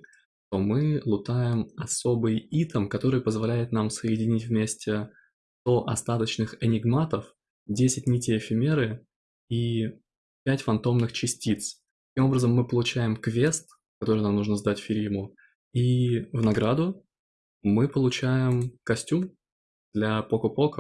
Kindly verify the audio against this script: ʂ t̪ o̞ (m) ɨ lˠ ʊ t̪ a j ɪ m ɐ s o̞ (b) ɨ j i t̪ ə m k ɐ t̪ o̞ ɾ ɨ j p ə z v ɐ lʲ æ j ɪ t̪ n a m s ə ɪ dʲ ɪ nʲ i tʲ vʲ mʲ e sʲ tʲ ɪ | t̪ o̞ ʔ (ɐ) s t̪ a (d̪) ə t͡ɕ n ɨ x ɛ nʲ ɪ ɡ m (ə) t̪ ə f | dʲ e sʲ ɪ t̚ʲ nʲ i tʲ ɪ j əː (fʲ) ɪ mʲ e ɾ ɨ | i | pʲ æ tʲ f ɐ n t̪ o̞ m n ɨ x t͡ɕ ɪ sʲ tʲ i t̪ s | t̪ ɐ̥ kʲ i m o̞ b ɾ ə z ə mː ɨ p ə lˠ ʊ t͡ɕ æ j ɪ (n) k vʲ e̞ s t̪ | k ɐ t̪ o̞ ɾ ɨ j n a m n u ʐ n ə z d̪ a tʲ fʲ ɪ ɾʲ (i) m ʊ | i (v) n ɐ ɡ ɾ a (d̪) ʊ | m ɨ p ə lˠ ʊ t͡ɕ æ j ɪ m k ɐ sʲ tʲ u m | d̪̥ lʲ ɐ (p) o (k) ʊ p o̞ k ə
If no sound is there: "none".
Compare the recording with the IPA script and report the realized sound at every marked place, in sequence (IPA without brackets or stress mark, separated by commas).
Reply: m, b, ɐ, t̪, a, fʲ, m, i, v, d̪, p, k